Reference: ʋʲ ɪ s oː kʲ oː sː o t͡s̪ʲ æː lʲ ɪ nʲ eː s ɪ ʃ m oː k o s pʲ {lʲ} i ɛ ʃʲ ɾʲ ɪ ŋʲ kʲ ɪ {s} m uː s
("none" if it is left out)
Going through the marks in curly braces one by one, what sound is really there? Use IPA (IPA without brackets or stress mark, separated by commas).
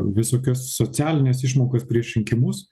ɾʲ, none